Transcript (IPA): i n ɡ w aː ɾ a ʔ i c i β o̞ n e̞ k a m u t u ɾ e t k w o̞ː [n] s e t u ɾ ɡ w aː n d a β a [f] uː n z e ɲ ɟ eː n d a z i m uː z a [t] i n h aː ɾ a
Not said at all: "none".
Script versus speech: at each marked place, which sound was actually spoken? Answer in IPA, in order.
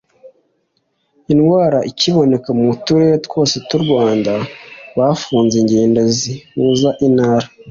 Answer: none, f, ʔ

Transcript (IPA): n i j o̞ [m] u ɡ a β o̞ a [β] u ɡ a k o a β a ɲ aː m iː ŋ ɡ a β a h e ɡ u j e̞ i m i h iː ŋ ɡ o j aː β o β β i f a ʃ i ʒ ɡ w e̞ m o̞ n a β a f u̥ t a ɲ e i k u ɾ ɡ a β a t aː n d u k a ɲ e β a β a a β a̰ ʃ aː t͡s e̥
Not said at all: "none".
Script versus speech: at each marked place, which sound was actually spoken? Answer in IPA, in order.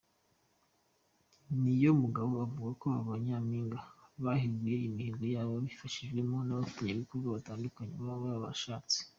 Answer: m, v

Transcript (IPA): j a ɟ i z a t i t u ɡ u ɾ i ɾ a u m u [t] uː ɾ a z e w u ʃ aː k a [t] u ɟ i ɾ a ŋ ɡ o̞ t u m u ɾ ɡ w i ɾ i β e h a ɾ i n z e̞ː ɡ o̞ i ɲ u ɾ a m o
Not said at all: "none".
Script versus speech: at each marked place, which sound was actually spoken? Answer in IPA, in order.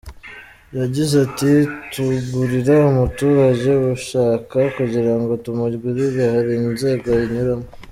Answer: t, k

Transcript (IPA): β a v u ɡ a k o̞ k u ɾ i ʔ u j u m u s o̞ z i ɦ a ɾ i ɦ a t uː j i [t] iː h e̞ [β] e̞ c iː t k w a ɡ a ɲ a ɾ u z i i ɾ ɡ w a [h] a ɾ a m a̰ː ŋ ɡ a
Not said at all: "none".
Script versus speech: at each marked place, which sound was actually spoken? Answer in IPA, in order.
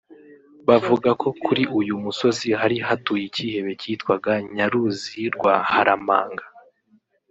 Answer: c, β, h

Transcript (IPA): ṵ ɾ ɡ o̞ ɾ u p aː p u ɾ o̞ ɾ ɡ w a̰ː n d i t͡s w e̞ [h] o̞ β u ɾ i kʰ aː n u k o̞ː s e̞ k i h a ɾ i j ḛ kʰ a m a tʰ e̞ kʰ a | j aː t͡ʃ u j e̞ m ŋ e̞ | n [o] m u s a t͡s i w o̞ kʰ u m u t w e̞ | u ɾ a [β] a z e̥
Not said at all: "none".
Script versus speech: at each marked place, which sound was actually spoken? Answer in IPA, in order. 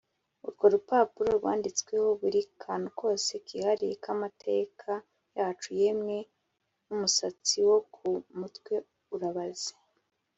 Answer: h, u, β

